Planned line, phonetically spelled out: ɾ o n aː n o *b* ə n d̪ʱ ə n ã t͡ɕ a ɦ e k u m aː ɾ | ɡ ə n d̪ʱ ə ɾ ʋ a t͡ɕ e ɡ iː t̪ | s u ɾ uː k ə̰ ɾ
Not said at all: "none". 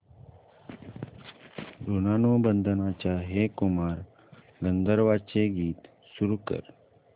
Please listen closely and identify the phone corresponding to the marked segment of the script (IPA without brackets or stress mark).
b